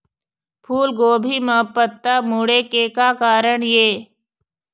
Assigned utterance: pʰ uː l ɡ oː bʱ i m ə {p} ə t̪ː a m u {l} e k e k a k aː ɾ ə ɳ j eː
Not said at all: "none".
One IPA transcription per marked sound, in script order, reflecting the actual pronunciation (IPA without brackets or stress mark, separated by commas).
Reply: p, ɽ